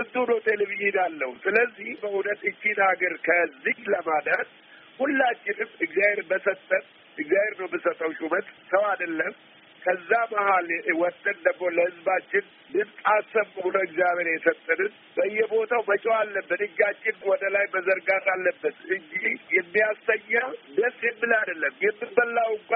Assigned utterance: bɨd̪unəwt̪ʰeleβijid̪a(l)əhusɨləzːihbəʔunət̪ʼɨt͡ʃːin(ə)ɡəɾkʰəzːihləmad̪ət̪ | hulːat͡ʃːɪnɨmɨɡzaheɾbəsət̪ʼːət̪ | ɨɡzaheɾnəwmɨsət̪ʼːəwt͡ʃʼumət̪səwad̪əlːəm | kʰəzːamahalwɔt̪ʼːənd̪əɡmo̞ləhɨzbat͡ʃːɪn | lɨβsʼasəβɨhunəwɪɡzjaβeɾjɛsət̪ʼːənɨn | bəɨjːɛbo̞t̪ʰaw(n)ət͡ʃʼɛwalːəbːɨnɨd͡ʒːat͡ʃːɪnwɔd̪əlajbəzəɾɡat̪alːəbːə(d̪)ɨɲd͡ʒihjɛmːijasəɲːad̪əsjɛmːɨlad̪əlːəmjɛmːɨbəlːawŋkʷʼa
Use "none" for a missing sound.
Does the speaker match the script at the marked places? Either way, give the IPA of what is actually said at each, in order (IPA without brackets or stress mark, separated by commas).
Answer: lː, a, m, t̪